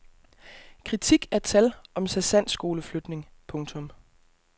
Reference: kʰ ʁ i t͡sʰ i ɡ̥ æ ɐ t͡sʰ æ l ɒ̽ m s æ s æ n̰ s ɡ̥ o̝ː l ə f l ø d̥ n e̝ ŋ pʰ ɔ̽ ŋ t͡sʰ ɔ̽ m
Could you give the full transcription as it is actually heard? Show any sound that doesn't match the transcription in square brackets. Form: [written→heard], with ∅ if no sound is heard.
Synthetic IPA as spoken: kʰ ʁ i t͡sʰ i ɡ̥ æ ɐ t͡sʰ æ l ɒ̽ m s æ s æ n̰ s ɡ̥ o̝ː l ə f l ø d̥ n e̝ ŋ pʰ ɔ̽ ŋ t͡sʰ ɔ̽ m